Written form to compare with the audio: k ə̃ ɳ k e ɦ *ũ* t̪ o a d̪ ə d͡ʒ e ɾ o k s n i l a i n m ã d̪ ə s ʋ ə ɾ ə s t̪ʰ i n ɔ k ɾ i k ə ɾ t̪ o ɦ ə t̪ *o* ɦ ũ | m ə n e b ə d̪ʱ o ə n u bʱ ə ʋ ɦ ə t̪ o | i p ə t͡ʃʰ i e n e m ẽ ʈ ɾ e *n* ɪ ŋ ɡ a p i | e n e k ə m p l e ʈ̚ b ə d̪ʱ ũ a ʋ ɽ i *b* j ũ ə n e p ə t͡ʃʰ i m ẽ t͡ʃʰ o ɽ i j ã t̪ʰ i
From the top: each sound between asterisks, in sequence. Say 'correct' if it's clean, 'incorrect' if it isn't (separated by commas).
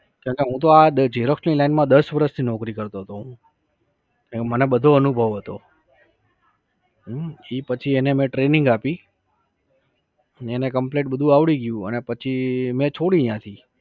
correct, correct, correct, incorrect